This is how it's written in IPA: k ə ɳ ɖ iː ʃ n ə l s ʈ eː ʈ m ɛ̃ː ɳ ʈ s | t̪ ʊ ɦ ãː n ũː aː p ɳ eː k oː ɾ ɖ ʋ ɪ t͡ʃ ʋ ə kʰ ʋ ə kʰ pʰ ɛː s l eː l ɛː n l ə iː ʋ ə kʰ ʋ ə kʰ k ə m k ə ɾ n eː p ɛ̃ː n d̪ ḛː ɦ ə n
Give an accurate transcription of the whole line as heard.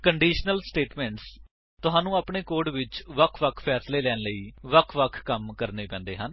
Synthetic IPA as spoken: k ə ɳ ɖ iː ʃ n ə l s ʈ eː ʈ m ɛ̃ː ɳ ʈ s | t̪ ʊ ɦ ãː n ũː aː p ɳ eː k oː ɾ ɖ ʋ ɪ t͡ʃ ʋ ə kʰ ʋ ə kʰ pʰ ɛː s l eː l ɛː n l ə iː ʋ ə kʰ ʋ ə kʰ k ə m k ə ɾ n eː p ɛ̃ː n d̪ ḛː ɦ ə n